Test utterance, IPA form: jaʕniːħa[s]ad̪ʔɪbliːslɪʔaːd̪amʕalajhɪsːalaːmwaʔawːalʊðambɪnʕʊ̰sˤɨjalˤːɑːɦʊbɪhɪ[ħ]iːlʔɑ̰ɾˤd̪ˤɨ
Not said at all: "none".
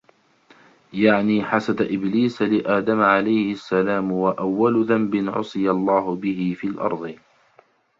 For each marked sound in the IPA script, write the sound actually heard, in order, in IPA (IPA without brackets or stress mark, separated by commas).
s, f